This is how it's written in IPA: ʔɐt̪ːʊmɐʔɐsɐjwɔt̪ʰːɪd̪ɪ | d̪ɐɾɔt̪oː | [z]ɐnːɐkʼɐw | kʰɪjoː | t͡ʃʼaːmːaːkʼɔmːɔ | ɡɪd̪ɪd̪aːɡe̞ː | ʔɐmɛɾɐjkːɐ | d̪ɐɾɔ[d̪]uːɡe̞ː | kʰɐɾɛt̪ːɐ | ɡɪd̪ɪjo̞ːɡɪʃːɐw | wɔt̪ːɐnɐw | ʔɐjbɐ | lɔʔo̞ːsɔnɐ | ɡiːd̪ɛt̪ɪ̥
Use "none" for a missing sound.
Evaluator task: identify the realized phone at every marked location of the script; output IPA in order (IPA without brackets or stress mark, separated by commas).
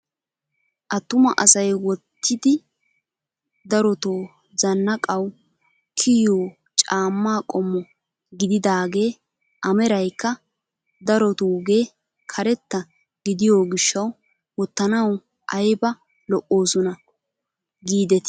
z, t̪